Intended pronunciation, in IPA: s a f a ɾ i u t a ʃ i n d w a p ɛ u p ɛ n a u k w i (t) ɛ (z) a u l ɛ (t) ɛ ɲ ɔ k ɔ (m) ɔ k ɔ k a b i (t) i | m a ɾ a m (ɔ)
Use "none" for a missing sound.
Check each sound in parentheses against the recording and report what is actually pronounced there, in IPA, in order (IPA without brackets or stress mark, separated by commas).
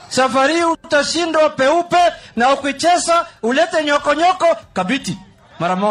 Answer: t͡ʃ, s, t, ɲ, t, ɔ